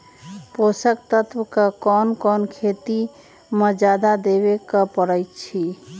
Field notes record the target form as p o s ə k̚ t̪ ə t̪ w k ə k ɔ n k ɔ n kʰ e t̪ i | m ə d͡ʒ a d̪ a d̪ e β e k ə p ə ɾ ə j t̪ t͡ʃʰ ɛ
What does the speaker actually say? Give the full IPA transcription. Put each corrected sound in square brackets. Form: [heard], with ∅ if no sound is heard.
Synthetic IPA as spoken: p o s ə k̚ t̪ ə t̪ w k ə k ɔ n k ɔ n kʰ e t̪ i | m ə d͡ʒ a d̪ a d̪ e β e k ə p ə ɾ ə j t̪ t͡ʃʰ [i]

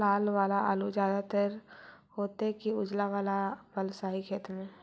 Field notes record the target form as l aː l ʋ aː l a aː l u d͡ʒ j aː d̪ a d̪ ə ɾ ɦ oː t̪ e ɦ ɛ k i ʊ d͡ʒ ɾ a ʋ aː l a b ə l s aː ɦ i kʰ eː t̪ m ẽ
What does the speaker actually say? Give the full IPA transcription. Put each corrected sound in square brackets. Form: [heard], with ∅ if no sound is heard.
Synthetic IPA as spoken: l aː l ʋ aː l a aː l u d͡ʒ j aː d̪ a [t̪] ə ɾ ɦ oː t̪ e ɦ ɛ k i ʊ d͡ʒ [l] a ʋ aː l a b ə l s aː ɦ i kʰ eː t̪ m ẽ

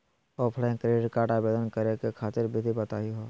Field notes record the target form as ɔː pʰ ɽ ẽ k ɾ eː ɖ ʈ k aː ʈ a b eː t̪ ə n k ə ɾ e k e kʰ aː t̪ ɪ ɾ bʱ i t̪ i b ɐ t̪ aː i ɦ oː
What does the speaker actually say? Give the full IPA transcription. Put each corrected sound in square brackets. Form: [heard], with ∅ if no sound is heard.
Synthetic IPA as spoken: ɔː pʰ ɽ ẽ k ɾ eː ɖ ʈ k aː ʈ a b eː [d̪] ə n k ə ɾ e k e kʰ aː t̪ ɪ ɾ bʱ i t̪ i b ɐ t̪ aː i ɦ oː

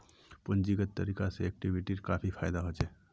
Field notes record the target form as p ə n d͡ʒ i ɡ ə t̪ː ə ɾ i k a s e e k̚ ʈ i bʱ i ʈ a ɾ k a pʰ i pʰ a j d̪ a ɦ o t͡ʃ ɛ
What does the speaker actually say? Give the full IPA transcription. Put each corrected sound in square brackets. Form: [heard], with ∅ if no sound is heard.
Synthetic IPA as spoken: p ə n d͡ʒ i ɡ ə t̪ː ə ɾ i k a s e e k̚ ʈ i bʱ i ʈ [i] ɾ k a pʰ i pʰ a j d̪ a ɦ o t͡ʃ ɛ

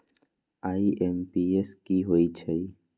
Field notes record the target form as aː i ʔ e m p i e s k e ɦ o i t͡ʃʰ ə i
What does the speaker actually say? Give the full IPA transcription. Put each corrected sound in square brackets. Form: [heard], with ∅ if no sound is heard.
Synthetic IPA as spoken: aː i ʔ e m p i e s k [i] ɦ o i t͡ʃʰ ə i

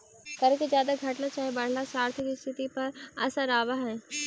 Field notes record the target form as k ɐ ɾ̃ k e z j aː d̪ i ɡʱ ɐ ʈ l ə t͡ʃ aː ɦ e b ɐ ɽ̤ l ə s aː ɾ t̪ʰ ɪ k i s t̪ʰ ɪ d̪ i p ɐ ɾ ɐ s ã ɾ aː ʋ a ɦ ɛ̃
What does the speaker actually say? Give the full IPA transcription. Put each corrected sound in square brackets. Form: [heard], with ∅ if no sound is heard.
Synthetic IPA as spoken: k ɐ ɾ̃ k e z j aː d̪ [a] ɡʱ ɐ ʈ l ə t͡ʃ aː ɦ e b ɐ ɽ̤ l [a] s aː ɾ t̪ʰ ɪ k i s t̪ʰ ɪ [t̪] i p ɐ ɾ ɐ s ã ɾ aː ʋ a ɦ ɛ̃

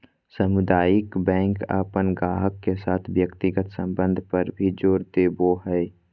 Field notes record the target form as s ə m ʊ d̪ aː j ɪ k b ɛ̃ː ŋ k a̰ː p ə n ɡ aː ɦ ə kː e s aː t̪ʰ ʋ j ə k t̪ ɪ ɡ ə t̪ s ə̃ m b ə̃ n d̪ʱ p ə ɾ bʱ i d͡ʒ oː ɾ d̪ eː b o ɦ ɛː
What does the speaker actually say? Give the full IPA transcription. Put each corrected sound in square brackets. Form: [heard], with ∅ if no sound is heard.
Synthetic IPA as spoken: s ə m ʊ d̪ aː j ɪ k b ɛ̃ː ŋ k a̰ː p ə n ɡ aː ɦ ə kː e s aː t̪ʰ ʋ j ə k t̪ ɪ ɡ ə t̪ s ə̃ m b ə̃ n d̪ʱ p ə ɾ bʱ i d͡ʒ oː ɾ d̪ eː b o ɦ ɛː

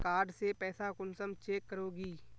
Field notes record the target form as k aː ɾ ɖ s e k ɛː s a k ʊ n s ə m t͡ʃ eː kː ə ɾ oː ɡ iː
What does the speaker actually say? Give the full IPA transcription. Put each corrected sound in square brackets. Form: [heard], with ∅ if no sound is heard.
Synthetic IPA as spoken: k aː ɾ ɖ s e [p] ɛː s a k ʊ n s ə m t͡ʃ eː kː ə ɾ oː ɡ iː

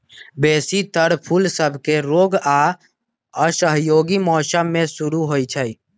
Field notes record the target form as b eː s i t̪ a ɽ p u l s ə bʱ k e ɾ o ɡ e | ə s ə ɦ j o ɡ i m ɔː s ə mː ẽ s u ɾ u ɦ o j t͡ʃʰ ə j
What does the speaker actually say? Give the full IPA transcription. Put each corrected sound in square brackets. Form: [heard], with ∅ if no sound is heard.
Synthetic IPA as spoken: b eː s i t̪ [ə] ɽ [pʰ] u l s ə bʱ k e ɾ o ɡ [a] | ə s ə ɦ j o ɡ i m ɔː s ə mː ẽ s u ɾ u ɦ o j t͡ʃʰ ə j

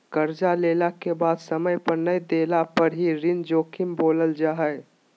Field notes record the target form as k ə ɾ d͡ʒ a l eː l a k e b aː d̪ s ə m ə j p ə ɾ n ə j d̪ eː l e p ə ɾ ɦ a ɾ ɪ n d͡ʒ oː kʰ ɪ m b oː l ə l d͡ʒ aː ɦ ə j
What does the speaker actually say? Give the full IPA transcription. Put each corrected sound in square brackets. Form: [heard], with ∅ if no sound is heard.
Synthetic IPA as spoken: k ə ɾ d͡ʒ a l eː l a k e b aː d̪ s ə m ə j p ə ɾ n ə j d̪ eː l [a] p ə ɾ ɦ [i] ɾ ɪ n d͡ʒ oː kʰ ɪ m b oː l ə l d͡ʒ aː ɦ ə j

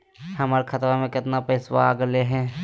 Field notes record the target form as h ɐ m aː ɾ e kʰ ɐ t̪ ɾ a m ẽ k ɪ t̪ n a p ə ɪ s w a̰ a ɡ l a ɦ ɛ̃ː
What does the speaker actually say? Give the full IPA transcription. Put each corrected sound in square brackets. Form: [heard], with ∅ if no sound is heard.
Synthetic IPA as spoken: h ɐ m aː ɾ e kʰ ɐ t̪ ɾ a m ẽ k ɪ t̪ n a p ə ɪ s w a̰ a ɡ l [e] ɦ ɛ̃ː

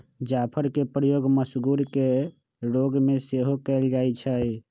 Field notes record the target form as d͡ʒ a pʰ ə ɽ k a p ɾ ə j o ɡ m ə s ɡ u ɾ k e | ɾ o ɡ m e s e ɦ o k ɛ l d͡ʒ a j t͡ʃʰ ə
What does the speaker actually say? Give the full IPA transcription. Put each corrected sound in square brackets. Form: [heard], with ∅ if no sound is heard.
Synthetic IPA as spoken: d͡ʒ a pʰ ə [ɾ] k [e] p ɾ ə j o ɡ m ə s ɡ u ɾ k e | ɾ o ɡ m e s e ɦ o k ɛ l d͡ʒ a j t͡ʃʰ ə

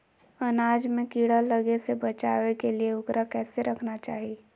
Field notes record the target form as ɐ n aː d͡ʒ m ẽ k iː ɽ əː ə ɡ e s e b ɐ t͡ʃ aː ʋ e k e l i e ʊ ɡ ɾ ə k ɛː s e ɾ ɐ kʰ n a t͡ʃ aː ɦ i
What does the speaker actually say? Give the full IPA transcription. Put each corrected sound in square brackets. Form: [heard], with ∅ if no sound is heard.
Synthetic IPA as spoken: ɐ n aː d͡ʒ m ẽ k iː ɽ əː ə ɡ e s e b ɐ t͡ʃ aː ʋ e k e l i e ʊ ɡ ɾ [a] k ɛː s e ɾ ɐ kʰ n a t͡ʃ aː ɦ i

